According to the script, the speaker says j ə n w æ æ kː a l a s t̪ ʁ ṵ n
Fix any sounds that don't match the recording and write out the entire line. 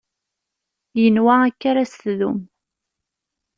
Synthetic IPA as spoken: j ə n w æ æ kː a ɾ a s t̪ ð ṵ m